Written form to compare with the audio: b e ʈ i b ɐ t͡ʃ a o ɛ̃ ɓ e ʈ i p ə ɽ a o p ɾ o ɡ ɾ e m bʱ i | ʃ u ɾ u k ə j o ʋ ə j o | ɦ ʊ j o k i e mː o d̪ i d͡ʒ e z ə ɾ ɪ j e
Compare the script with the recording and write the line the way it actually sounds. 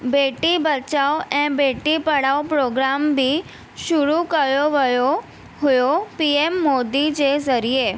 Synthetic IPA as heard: b e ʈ i b ə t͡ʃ a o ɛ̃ b e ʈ i p ə ɽ a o p ɾ o ɡ ɾ a m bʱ i | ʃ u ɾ u k ə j o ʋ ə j o | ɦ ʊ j o p i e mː o d̪ i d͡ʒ e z ə ɾ i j e